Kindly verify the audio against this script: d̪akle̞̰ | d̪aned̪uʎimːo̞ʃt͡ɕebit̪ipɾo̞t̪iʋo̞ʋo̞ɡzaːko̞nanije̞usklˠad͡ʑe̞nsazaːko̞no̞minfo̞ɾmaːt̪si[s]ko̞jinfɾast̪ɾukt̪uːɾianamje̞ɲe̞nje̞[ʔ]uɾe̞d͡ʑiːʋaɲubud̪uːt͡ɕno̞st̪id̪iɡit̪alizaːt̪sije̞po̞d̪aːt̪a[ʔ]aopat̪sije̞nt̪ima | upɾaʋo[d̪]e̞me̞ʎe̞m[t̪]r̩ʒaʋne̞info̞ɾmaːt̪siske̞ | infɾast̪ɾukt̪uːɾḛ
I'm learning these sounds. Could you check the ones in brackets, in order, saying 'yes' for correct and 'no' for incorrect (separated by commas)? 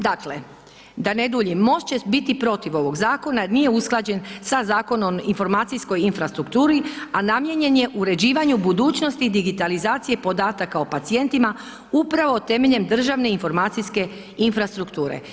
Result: yes, yes, no, no, no